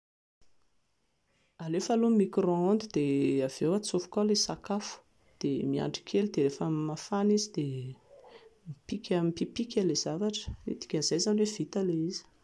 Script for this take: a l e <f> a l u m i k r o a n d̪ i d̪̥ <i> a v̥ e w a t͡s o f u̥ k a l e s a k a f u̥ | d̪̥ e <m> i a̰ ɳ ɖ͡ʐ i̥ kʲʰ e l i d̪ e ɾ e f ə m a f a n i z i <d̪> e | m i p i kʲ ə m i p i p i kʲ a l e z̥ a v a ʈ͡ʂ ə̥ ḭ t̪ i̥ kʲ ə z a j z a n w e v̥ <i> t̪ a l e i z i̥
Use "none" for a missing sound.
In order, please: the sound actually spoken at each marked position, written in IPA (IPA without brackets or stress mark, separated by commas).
f, e, m, d̪, i